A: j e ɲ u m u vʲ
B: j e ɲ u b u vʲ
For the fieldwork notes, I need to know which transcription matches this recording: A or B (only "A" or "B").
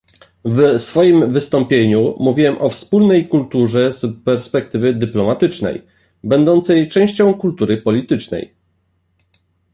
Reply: A